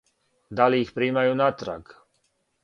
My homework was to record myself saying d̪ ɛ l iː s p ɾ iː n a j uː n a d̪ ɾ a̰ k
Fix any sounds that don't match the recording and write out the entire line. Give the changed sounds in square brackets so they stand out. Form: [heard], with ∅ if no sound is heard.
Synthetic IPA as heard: d̪ [a] l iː [x] p ɾ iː [m] a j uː n a [t̪] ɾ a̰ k